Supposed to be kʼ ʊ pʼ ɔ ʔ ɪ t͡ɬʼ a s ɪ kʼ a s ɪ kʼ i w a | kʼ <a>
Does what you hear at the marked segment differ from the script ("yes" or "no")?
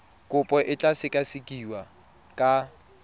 no